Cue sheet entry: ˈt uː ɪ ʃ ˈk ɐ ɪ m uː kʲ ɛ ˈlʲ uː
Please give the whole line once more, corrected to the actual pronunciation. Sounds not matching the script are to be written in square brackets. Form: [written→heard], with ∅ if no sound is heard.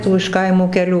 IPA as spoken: ˈt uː ɪ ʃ ˈk ɐ ɪ m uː kʲ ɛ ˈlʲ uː

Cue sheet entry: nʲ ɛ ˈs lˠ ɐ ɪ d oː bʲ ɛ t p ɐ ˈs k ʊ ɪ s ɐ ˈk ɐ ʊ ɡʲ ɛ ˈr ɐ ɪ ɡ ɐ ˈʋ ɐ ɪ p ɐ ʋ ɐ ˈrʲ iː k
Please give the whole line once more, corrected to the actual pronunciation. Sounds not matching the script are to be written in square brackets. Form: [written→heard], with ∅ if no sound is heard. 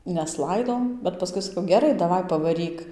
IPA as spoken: nʲ ɛ ˈs lˠ ɐ ɪ d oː bʲ ɛ t p ɐ ˈs k ʊ ɪ s ɐ ˈk ɐ ʊ ɡʲ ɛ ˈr ɐ ɪ [ɡ→d] ɐ ˈʋ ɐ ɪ p ɐ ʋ ɐ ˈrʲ iː k

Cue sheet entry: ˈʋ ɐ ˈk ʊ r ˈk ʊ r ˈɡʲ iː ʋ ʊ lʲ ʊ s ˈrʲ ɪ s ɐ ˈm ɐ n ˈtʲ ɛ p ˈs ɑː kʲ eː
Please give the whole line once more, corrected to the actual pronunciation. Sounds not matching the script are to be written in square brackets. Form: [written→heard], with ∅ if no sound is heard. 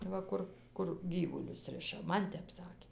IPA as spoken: ˈʋ ɐ ˈk ʊ r ˈk ʊ r ˈɡʲ iː ʋ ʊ lʲ ʊ s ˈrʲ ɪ [s→ʃ] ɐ ˈm ɐ n ˈtʲ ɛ p ˈs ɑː kʲ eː

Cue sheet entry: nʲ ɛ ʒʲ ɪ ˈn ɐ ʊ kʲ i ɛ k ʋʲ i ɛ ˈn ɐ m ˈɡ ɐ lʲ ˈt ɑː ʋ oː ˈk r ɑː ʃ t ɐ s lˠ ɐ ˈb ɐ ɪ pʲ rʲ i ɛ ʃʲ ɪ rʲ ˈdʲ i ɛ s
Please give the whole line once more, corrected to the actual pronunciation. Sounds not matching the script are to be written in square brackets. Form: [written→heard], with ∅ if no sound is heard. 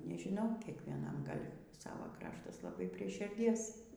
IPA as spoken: nʲ ɛ ʒʲ ɪ ˈn ɐ ʊ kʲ i ɛ k ʋʲ i ɛ ˈn ɐ m ˈɡ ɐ lʲ [ˈt→ˈs] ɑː ʋ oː ˈk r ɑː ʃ t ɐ s lˠ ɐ ˈb ɐ ɪ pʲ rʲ i ɛ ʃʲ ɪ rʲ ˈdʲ i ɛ s

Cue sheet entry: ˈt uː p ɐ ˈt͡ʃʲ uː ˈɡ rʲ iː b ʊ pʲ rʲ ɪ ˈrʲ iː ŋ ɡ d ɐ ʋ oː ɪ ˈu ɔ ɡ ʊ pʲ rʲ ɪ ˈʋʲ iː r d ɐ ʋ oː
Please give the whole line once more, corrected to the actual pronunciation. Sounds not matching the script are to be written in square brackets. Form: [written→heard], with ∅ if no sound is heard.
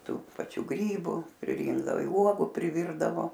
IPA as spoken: ˈt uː p ɐ ˈt͡ʃʲ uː ˈɡ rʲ iː b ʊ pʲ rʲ ɪ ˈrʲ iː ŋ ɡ d ɐ ʋ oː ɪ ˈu ɔ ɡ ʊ pʲ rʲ ɪ ˈʋʲ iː r d ɐ ʋ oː

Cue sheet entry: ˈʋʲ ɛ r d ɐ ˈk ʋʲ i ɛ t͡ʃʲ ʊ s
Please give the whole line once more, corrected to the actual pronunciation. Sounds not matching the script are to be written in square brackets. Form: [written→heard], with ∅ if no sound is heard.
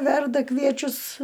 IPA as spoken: ˈʋʲ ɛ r d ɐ ˈk ʋʲ i ɛ t͡ʃʲ ʊ s

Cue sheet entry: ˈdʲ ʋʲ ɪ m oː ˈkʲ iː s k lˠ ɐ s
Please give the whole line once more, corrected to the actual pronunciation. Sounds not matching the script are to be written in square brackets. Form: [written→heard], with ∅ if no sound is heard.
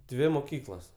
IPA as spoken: ˈdʲ ʋʲ ɪ m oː ˈkʲ iː [s→∅] k lˠ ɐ s

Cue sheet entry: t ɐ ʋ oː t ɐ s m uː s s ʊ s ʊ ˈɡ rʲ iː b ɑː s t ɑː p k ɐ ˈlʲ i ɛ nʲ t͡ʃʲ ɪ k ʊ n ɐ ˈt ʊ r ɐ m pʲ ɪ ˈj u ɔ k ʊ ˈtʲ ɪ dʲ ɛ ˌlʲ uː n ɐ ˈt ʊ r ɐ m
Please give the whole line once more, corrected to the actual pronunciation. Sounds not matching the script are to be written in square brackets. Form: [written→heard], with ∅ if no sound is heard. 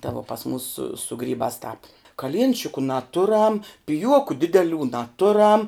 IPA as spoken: t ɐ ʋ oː [t→p] ɐ s m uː s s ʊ s ʊ ˈɡ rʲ iː b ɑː s t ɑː p k ɐ ˈlʲ i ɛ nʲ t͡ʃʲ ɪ k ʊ n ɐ ˈt ʊ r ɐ m pʲ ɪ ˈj u ɔ k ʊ [ˈtʲ→ˈdʲ] ɪ dʲ ɛ ˌlʲ uː n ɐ ˈt ʊ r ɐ m

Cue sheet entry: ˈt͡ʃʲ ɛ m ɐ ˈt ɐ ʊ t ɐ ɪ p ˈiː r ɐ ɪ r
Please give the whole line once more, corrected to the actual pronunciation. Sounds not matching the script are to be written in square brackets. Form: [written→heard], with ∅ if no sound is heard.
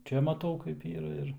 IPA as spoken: ˈt͡ʃʲ ɛ m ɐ ˈt ɐ ʊ [t→k] ɐ ɪ p ˈiː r ɐ ɪ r

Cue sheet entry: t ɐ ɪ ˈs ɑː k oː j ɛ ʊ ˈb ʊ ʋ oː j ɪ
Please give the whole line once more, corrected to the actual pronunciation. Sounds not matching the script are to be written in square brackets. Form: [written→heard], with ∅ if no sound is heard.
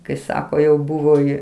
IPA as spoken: [t→k] ɐ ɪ ˈs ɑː k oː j ɛ ʊ ˈb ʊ ʋ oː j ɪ

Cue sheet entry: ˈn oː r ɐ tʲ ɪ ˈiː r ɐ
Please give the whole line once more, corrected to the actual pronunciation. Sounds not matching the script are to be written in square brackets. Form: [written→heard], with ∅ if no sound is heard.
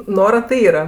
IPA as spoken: ˈn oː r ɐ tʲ ɪ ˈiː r ɐ

